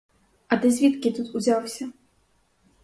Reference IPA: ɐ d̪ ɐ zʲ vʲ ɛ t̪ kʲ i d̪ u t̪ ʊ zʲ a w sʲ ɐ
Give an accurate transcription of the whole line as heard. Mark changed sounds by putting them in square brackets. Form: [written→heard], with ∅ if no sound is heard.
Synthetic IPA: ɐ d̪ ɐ zʲ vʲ [ɛ→i] t̪ kʲ i [d̪→t̪] u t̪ [ʊ→u] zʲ a w sʲ ɐ